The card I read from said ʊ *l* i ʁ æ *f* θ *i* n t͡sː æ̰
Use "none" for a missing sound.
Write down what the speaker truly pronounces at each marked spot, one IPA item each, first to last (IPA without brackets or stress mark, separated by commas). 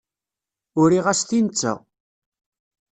ɾ, s, i